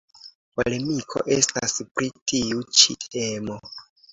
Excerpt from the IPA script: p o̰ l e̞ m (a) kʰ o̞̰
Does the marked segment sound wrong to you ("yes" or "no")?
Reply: yes